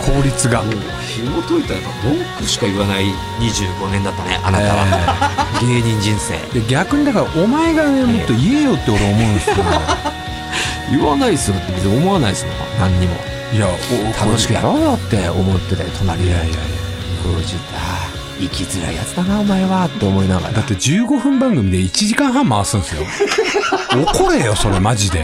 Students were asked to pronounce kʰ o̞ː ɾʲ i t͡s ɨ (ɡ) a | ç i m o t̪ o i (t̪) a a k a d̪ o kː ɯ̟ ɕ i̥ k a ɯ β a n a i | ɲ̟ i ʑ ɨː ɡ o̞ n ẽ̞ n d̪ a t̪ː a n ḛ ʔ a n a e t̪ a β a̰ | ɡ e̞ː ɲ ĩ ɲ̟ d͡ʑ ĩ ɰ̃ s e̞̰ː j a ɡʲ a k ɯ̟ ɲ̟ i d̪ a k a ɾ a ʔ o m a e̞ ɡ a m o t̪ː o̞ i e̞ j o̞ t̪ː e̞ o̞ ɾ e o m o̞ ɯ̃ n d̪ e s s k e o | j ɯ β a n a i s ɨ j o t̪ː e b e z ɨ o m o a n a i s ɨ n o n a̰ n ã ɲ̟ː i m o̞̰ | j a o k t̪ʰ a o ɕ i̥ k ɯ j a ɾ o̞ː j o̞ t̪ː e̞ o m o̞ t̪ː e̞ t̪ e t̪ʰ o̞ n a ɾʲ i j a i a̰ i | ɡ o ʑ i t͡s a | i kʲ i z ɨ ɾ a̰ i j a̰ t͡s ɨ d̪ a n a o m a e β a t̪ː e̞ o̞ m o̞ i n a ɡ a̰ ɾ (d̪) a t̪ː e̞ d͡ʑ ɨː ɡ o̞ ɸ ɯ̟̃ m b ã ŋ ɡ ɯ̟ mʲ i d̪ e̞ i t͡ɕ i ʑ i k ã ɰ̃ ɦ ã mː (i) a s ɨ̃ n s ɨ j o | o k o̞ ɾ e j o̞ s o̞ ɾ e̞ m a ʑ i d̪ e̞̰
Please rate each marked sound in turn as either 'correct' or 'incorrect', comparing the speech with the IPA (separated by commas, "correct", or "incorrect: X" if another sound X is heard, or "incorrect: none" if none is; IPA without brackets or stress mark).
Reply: correct, correct, correct, incorrect: a